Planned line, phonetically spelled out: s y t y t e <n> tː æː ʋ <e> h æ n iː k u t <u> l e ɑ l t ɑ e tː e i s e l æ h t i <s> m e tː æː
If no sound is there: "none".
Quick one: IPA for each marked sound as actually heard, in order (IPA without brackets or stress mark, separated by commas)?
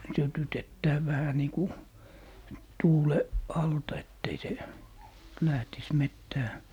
none, æ, uː, s